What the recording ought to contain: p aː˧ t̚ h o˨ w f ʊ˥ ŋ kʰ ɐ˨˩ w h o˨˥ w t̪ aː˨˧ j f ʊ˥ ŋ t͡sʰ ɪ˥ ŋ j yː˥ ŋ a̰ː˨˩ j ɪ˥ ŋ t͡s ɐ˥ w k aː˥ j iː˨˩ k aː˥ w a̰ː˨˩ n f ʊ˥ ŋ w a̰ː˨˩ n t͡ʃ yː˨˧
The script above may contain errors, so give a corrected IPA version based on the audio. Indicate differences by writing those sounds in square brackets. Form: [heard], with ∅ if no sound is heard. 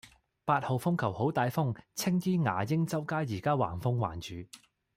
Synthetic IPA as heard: p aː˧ t̚ h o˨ w f ʊ˥ ŋ kʰ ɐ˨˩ w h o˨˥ w t̪ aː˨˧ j f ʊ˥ ŋ t͡sʰ ɪ˥ ŋ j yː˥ ŋ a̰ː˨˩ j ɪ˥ ŋ t͡s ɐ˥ w k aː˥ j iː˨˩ k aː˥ w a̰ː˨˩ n f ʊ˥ ŋ w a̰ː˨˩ n t͡ʃ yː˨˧

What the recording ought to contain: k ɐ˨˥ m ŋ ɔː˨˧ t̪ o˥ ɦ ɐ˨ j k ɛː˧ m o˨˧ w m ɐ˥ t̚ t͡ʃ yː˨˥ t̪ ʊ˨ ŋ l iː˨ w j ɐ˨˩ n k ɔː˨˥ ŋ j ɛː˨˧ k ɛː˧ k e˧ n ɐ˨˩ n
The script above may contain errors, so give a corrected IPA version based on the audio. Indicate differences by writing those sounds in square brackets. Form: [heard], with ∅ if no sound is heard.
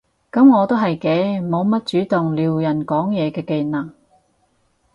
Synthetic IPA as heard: k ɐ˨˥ m ŋ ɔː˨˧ t̪ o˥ ɦ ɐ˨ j k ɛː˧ m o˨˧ w m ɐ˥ t̚ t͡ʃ yː˨˥ t̪ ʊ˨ ŋ l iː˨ w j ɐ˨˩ n k ɔː˨˥ ŋ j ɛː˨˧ k ɛː˧ k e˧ n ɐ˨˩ [ŋ]

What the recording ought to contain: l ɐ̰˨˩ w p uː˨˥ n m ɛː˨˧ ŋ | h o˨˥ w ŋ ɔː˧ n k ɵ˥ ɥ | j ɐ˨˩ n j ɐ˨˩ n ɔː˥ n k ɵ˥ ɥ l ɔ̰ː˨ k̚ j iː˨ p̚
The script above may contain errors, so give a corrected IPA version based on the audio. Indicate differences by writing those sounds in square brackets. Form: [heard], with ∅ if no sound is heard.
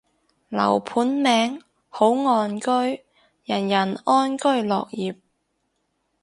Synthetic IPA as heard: l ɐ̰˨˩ w [pʰ] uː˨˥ n m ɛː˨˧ ŋ | h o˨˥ w ŋ ɔː˧ n k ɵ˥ ɥ | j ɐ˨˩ n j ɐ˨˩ n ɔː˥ n k ɵ˥ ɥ l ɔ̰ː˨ k̚ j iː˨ p̚

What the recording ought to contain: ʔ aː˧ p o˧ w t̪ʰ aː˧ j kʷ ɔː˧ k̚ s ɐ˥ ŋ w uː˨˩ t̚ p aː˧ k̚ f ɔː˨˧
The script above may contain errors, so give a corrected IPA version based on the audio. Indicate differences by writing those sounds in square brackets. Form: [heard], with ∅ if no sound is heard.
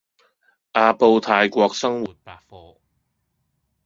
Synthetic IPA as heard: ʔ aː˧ p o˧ w t̪ʰ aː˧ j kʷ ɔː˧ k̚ s ɐ˥ ŋ w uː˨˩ t̚ p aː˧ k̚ f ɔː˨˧

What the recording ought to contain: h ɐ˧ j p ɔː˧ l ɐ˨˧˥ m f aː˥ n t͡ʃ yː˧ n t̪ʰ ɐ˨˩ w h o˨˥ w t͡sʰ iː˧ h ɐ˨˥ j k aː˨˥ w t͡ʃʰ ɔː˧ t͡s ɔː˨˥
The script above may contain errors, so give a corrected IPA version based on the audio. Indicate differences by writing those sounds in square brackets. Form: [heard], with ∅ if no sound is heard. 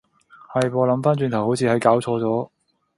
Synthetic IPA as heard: h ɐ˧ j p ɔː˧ l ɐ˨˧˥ m f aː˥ n t͡ʃ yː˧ n t̪ʰ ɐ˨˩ w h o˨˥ w t͡sʰ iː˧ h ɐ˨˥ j k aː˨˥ w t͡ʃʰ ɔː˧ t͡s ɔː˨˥

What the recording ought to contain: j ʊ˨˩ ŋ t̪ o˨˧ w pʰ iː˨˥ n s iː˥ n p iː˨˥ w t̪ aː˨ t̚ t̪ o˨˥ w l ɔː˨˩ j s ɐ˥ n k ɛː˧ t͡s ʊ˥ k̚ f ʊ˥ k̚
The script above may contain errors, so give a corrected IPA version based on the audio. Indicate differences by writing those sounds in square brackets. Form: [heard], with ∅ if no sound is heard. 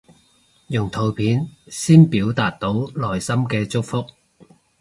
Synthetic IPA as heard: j ʊ˨˩ ŋ [t̪ʰ] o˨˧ w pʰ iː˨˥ n s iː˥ n p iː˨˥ w t̪ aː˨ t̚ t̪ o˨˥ w l ɔː˨˩ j s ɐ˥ [m] k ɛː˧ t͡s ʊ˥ k̚ f ʊ˥ k̚

